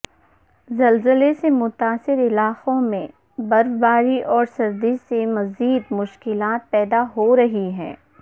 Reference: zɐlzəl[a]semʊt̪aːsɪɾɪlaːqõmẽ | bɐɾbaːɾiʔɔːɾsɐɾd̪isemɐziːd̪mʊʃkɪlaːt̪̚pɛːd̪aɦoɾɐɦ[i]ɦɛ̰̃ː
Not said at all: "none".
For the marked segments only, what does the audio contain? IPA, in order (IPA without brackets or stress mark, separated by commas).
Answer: e, i